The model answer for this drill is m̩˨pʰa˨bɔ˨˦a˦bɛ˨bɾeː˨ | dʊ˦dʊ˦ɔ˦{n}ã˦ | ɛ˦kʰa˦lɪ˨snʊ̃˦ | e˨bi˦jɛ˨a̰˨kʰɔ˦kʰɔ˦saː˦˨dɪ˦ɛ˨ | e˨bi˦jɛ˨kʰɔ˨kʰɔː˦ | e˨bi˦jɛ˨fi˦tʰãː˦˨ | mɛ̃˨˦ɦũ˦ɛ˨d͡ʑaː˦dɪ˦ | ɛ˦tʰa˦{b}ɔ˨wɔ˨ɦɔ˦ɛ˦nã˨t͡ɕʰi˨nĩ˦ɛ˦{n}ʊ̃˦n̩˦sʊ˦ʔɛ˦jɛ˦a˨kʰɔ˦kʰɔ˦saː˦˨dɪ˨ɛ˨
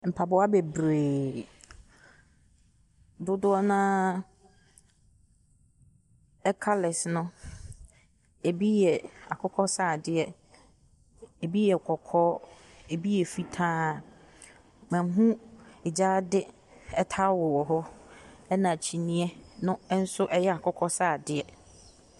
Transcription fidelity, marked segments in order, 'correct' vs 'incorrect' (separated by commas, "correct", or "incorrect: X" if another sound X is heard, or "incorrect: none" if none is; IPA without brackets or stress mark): correct, incorrect: w, correct